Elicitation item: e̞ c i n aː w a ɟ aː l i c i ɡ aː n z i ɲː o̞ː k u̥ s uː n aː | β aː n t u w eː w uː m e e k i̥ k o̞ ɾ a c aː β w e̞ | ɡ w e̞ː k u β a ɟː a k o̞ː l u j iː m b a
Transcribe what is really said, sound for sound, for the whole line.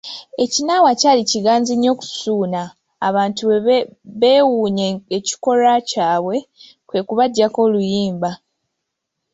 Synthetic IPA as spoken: e̞ c i n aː w a c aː l i c i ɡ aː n z i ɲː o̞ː k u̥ s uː n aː | β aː n t u β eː w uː ɲ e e c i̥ k o̞ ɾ a c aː β w e̞ | k w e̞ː k u β a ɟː a k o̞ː l u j iː m b a

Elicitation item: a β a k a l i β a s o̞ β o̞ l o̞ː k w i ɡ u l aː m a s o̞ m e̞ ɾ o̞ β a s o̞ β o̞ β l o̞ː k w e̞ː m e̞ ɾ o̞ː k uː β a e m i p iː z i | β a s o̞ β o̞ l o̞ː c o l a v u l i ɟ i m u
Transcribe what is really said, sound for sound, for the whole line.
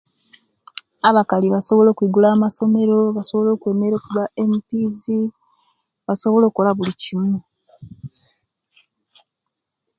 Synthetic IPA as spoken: a β a k a l i β a s o̞ β o̞ l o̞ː k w i ɡ u l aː m a s o̞ m e̞ ɾ o̞ β a s o̞ β o̞ l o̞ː k w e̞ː m e̞ ɾ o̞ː k u β a e m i p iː z i | β a s o̞ β o̞ l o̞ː k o l a β u l i c i m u

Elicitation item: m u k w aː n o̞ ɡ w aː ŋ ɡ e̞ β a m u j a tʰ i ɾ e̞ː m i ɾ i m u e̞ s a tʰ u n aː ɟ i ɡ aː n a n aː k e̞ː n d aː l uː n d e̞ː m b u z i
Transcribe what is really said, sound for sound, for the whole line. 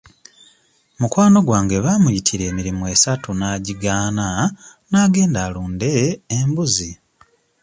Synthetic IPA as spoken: m u k w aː n o̞ ɡ w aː ŋ ɡ e̞ β a m u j i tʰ i ɾ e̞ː m i ɾ i m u e̞ s a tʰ u n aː ɟ i ɡ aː n a n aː ɡ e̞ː n d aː l uː n d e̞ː m b u z i

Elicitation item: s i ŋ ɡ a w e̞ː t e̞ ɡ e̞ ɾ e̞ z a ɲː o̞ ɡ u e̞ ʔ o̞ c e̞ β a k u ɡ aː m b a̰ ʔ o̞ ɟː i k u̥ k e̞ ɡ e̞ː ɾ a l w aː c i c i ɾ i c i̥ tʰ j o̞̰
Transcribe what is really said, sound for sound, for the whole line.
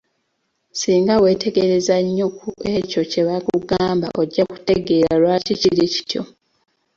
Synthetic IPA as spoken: s iː ŋ ɡ a w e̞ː t e̞ ɡ e̞ ɾ e̞ z a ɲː o̞ k u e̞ c o̞ c e̞ β a k u ɡ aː m b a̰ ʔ o̞ ɟː a k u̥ t e̞ ɡ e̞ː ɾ a l w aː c i c i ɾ i c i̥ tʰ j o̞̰

